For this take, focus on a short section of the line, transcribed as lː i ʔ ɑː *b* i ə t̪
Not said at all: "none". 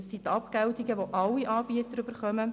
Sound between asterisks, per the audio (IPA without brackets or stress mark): b